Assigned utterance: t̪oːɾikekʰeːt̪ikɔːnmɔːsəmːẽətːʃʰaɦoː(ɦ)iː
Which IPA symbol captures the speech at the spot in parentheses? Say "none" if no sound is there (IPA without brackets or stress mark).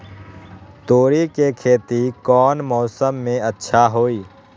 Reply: none